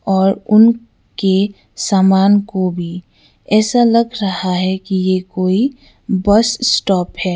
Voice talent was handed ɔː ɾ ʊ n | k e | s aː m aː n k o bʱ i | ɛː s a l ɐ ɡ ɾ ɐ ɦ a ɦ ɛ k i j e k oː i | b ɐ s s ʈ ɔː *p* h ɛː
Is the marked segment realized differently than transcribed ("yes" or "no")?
no